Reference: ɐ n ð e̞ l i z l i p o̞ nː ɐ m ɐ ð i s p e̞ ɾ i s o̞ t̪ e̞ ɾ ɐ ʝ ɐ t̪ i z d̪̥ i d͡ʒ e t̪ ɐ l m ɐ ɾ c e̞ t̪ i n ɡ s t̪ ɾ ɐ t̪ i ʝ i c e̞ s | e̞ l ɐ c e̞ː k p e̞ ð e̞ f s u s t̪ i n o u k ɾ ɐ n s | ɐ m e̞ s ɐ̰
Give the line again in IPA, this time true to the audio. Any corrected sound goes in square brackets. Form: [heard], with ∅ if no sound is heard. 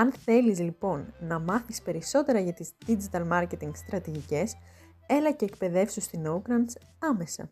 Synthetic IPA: ɐ n [θ] e̞ l i z l i p o̞ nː ɐ m ɐ [θ] i s p e̞ ɾ i s o̞ t̪ e̞ ɾ ɐ ʝ ɐ t̪ i z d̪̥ i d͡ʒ [i] t̪ ɐ l m ɐ ɾ c e̞ t̪ i [ŋ] ɡ s t̪ ɾ ɐ t̪ i ʝ i c e̞ s | e̞ l ɐ c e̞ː k p e̞ ð e̞ f s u s t̪ i n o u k ɾ ɐ n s | ɐ m e̞ s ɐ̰